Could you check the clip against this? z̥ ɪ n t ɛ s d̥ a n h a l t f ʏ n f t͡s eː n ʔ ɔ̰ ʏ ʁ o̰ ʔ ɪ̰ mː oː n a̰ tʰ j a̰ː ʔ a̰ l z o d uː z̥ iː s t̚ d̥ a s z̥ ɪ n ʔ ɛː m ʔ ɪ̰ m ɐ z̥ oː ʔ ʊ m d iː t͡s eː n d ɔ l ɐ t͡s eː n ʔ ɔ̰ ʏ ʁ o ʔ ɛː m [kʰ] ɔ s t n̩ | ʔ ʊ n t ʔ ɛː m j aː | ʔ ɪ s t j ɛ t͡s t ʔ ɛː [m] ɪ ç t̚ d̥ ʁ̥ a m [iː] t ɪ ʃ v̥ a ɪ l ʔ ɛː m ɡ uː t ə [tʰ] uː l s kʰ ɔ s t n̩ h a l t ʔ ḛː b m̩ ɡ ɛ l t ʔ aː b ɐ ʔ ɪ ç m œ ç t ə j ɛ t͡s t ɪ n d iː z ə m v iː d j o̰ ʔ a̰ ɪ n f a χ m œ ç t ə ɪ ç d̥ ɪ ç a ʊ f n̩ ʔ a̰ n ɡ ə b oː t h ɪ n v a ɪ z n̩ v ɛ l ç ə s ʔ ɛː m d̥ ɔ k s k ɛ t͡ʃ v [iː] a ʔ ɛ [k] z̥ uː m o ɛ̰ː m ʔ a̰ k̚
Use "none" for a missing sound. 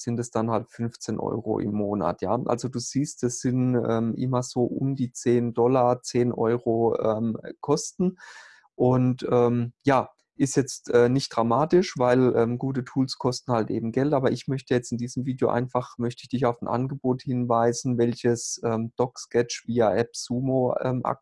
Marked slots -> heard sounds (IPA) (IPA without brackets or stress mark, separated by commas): kʰ, n, aː, tʰ, iː, p